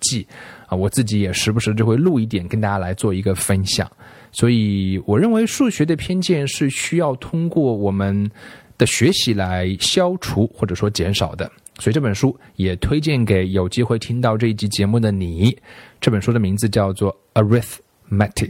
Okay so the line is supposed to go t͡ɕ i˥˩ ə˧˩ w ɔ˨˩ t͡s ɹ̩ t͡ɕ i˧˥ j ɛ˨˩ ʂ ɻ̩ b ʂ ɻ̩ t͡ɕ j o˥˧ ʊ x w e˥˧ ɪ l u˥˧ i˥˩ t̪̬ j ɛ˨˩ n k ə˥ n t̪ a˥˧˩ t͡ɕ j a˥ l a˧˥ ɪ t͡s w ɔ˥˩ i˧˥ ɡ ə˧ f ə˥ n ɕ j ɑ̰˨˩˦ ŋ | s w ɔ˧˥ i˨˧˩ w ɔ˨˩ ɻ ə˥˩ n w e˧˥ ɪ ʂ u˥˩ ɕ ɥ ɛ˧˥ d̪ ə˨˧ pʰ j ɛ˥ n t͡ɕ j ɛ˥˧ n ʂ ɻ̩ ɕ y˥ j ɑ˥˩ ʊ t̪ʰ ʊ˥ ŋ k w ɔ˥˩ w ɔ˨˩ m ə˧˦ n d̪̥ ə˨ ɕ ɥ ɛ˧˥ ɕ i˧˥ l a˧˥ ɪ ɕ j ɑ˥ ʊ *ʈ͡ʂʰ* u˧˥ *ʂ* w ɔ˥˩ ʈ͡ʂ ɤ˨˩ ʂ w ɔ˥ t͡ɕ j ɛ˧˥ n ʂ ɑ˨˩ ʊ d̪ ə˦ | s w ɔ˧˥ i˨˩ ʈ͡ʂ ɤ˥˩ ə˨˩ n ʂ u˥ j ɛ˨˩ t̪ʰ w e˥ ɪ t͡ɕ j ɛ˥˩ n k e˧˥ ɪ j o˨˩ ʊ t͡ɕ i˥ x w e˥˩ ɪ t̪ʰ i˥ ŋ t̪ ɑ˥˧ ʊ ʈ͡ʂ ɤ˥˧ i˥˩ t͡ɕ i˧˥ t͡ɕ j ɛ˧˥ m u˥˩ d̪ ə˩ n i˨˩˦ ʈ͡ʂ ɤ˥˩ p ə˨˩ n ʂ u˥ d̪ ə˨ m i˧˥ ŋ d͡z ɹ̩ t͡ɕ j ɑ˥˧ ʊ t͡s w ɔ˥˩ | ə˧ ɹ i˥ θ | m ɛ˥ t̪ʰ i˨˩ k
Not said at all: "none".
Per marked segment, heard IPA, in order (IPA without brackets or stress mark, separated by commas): ʈ͡ʂʰ, x